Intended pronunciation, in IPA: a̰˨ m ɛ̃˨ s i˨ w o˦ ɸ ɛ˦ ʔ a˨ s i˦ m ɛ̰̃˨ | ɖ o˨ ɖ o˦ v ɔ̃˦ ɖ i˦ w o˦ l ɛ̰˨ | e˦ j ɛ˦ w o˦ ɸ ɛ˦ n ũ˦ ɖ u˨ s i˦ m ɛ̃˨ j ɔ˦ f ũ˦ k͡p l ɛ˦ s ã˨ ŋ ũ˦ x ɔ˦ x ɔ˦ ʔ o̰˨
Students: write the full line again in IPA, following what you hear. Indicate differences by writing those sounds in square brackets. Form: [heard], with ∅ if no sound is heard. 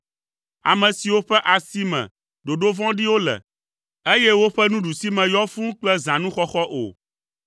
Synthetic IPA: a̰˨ m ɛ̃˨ s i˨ w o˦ ɸ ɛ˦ ʔ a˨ s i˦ m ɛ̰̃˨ | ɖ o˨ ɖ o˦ v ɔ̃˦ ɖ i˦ w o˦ l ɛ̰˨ | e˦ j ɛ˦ w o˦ ɸ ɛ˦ n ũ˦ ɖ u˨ s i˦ m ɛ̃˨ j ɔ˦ f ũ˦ k͡p l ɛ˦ [z] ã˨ [n] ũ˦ x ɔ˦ x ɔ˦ ʔ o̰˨

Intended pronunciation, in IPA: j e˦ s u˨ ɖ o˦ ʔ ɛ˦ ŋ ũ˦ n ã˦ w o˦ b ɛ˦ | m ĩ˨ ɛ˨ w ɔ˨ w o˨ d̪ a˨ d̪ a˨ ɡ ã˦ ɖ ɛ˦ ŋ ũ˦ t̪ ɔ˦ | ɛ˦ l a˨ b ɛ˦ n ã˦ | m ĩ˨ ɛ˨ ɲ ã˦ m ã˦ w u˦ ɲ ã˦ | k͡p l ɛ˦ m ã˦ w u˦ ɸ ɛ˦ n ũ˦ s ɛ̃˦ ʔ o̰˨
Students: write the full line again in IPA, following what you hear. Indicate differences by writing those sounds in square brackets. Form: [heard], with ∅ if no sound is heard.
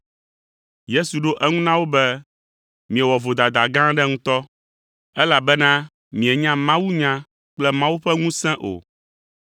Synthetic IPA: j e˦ s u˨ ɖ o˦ ʔ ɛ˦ ŋ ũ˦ n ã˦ w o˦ b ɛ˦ | m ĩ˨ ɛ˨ w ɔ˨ [v] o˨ d̪ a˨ d̪ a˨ ɡ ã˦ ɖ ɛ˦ ŋ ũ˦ t̪ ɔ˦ | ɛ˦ l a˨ b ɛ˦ n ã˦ | m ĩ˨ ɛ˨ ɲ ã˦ m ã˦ w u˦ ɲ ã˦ | k͡p l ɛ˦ m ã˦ w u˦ ɸ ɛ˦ [ŋ] ũ˦ s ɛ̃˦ ʔ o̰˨

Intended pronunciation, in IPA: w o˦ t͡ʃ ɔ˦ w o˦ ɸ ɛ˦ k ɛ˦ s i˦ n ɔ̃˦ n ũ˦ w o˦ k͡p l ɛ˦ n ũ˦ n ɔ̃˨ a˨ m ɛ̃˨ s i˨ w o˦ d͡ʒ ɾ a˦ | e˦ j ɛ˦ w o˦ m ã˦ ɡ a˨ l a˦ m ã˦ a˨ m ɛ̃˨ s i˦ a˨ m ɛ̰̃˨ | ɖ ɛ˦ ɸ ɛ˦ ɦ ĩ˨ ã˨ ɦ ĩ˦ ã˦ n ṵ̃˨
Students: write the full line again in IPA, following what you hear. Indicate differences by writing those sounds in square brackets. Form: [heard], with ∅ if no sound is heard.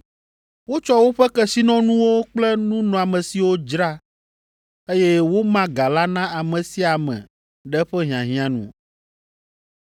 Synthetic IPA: w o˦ t͡ʃ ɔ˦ w o˦ ɸ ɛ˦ k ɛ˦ s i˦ n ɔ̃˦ n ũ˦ w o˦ k͡p l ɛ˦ n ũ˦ n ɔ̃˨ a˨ m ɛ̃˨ s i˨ w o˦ d͡ʒ ɾ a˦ | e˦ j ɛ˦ w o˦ m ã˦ ɡ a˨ l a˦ [n] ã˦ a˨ m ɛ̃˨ s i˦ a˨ m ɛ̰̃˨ | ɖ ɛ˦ ɸ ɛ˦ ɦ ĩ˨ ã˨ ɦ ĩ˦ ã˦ n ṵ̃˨

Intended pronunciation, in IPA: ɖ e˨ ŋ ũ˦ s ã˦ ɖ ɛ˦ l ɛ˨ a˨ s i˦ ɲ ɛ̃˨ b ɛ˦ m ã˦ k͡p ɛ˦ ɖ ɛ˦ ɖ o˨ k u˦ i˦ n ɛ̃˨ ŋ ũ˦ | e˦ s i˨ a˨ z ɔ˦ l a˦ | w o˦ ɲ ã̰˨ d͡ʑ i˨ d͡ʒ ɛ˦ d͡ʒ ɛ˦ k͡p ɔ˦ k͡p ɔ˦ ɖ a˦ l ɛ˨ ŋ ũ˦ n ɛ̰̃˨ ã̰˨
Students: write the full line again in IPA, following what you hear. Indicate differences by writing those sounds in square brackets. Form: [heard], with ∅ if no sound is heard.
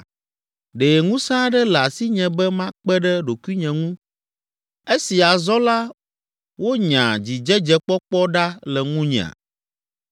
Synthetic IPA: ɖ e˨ ŋ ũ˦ s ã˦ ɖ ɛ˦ l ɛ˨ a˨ s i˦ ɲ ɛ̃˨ b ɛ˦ m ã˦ k͡p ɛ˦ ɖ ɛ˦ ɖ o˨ k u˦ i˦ [ɲ] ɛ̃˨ ŋ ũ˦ | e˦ s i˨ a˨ z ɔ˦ l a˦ | w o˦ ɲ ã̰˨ d͡ʑ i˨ d͡ʒ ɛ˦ d͡ʒ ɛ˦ k͡p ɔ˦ k͡p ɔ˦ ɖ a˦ l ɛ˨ ŋ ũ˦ [ɲ] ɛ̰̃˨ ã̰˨

